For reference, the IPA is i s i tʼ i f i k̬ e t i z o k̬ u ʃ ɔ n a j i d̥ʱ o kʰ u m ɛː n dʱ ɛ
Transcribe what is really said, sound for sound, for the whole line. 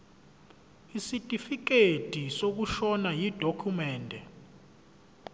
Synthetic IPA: i s i tʼ i f i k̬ e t i s o k̬ u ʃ ɔ n a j i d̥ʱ o kʰ u m ɛː n dʱ ɛ